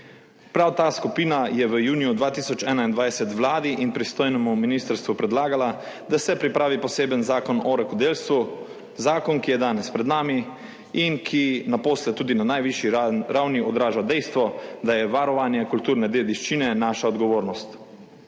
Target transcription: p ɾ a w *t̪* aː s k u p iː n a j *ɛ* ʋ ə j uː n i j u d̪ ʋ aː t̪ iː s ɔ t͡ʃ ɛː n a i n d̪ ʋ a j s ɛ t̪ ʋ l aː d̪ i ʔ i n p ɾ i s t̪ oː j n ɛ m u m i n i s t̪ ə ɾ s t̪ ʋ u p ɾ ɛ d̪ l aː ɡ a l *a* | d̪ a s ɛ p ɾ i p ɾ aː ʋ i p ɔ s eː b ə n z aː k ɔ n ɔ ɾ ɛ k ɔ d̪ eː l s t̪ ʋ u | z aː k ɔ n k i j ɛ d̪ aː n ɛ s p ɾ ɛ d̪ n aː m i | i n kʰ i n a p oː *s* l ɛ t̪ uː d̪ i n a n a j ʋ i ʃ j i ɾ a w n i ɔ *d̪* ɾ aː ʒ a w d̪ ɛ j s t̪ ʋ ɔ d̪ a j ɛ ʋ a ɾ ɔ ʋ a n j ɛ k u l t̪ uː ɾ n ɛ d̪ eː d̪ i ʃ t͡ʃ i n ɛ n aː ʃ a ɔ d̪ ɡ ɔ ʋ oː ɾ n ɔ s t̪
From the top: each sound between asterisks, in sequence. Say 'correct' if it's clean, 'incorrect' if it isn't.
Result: correct, correct, correct, correct, correct

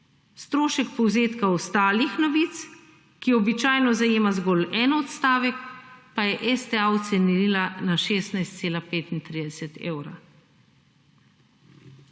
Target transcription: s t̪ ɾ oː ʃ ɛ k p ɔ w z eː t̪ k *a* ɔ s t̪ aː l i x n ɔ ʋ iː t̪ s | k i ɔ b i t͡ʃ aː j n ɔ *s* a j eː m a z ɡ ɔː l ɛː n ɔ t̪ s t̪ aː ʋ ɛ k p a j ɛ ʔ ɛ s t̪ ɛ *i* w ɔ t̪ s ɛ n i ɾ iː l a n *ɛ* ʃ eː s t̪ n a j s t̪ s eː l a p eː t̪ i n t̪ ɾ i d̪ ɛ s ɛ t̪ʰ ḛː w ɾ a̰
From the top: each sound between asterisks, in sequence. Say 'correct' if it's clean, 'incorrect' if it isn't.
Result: correct, incorrect: z, incorrect: a, incorrect: a

